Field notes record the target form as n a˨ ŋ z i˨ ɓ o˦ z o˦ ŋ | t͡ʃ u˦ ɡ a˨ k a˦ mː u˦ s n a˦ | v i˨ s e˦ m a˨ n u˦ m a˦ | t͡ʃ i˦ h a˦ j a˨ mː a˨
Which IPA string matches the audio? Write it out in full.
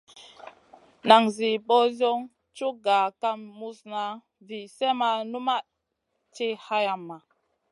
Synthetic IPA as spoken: n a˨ ŋ z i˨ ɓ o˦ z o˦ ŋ | t͡ʃ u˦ ɡ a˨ k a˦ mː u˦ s n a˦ | v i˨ s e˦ m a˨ n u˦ m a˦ | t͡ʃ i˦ h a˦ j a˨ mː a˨